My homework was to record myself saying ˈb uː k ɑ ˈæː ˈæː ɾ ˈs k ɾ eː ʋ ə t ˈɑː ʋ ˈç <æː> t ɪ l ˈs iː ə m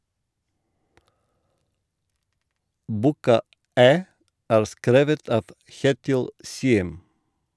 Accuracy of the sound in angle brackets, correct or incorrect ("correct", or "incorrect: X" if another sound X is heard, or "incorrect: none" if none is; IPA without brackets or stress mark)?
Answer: incorrect: eː